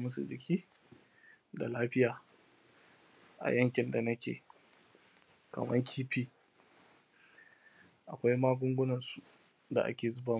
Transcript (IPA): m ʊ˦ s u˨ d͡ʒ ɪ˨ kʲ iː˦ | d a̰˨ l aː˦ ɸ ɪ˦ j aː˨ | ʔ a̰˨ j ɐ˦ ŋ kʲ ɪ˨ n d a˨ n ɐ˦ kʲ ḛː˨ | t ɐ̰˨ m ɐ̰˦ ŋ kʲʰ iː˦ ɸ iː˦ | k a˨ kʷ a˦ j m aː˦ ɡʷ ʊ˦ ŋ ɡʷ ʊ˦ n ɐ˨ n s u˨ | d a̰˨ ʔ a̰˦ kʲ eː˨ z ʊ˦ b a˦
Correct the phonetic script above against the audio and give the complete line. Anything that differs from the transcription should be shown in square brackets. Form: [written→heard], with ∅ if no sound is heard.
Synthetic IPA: m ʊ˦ s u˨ d͡ʒ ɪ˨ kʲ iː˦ | d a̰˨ l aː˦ ɸ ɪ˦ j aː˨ | ʔ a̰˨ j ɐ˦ ŋ kʲ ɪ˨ n d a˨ n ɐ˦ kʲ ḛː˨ | [t→k] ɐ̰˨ m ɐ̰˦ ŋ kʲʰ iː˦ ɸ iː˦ | [k→ʔ] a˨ kʷ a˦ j m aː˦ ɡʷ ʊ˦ ŋ ɡʷ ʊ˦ n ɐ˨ n s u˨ | d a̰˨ ʔ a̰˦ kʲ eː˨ z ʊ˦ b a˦